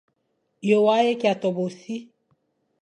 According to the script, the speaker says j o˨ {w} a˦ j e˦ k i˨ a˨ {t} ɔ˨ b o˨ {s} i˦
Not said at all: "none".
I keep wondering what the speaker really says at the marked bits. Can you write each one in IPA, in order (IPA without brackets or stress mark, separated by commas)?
w, t, s